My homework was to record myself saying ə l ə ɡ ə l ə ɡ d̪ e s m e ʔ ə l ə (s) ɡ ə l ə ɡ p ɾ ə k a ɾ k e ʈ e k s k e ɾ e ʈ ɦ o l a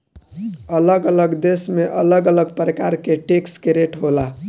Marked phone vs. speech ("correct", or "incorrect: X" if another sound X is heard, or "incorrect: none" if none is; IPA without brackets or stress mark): incorrect: none